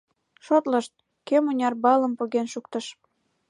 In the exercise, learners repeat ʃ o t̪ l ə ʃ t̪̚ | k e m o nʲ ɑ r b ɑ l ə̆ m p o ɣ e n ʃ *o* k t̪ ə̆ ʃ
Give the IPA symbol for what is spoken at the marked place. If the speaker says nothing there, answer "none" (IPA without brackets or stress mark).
u